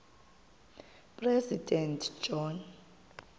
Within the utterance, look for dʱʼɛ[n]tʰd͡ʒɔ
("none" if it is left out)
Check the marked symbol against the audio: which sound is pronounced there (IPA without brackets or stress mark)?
n